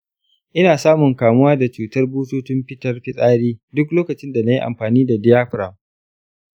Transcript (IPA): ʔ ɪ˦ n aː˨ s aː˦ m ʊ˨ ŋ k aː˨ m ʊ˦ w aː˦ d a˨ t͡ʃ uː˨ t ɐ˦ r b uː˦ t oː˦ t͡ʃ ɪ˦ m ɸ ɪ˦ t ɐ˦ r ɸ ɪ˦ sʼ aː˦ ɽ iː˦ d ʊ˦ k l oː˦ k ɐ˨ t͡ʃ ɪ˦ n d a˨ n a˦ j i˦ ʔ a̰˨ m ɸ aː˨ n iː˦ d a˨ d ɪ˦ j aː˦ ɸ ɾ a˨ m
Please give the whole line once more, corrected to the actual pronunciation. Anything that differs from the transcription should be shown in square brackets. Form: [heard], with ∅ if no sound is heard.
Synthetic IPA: ʔ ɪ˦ n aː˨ s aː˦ m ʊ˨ ŋ k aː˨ m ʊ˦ w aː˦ d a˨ t͡ʃ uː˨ t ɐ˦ r b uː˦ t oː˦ t͡ʃ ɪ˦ m ɸ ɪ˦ t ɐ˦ r ɸ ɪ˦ sʼ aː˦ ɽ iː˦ d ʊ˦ k l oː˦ k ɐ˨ t͡ʃ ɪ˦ n d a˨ n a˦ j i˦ ʔ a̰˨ m ɸ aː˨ n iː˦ d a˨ d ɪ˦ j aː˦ ɸ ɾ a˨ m